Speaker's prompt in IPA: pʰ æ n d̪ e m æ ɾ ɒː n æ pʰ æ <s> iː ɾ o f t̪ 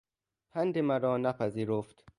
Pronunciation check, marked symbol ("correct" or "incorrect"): incorrect